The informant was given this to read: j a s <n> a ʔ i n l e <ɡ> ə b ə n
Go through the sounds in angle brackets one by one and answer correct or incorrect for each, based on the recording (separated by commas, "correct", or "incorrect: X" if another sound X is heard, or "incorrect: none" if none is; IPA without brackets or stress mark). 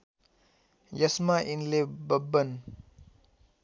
incorrect: m, incorrect: b